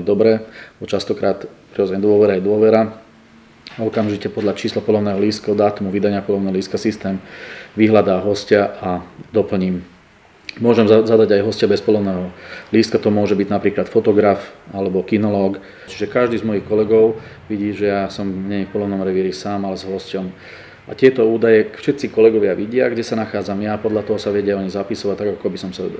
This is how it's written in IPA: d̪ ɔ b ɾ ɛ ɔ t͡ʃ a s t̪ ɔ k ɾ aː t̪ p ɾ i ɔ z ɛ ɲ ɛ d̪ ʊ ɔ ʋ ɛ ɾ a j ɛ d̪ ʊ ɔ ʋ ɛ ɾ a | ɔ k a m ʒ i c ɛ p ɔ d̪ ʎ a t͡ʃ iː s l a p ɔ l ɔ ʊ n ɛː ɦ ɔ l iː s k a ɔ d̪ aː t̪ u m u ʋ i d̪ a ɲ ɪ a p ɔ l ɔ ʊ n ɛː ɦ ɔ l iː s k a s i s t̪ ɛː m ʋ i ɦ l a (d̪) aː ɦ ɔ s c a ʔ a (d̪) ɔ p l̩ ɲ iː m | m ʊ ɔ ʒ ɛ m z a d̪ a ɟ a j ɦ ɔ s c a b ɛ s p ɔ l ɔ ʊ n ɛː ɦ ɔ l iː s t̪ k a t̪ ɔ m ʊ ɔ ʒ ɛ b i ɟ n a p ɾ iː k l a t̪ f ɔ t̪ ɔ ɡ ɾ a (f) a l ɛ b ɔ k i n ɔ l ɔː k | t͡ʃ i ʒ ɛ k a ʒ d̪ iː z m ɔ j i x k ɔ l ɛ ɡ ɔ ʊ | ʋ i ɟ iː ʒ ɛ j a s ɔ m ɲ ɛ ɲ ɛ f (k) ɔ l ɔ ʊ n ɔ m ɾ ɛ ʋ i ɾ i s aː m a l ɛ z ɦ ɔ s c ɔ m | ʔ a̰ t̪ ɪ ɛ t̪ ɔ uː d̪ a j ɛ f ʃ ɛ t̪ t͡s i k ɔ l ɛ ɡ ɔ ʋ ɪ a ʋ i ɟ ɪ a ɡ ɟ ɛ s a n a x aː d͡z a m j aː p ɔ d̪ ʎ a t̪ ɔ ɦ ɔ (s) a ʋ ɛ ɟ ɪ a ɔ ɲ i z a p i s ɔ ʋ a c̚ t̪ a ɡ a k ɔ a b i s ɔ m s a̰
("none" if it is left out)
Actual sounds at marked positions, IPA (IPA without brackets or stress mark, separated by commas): d̪, d̪, f, p, s